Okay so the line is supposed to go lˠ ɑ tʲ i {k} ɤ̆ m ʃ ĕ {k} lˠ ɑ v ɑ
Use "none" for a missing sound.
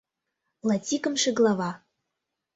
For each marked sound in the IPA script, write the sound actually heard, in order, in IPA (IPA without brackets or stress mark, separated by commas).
k, ɡ